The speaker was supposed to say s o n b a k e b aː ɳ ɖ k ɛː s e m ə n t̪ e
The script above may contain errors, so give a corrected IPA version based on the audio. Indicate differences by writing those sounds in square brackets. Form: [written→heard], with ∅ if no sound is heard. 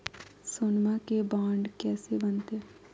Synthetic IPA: s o n [b→m] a k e b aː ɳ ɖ k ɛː s e [m→b] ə n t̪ e